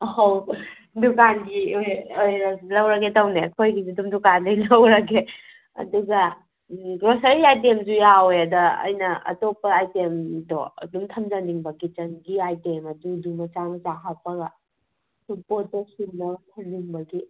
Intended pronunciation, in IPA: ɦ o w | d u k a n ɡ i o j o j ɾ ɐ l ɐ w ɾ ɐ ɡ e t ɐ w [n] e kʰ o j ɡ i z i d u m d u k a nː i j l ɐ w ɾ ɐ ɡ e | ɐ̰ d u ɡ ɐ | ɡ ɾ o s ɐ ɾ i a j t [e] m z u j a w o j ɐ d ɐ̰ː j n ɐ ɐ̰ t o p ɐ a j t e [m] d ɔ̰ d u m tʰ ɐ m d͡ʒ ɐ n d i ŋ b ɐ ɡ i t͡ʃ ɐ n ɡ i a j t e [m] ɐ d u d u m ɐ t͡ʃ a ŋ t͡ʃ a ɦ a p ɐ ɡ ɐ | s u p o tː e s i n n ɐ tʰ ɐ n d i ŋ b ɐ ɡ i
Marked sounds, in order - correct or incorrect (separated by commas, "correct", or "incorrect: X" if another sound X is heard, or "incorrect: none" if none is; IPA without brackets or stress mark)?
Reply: correct, correct, correct, correct